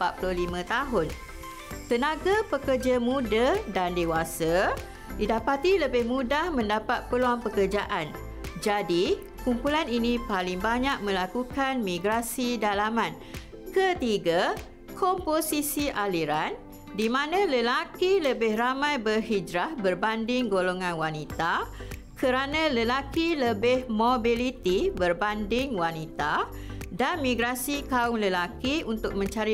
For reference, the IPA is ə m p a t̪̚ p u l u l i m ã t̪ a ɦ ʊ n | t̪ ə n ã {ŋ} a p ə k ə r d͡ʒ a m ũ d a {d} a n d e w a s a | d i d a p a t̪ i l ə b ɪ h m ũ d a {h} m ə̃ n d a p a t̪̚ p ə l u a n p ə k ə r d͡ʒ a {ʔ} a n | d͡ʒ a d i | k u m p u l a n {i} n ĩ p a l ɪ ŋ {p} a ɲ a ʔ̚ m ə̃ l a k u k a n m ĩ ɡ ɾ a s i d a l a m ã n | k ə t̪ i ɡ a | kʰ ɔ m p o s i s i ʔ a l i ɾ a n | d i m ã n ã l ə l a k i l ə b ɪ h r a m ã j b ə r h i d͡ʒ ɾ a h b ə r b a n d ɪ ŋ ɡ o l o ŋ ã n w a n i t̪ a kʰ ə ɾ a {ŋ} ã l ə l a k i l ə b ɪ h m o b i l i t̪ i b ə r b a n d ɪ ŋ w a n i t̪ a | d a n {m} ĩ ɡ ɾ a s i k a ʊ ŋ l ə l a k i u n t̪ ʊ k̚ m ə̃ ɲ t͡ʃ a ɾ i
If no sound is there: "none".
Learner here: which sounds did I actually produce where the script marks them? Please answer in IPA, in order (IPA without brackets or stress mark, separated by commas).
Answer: ɡ, d, h, ʔ, i, b, n, m